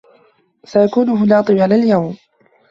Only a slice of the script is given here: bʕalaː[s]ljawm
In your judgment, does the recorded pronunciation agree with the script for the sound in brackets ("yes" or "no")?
no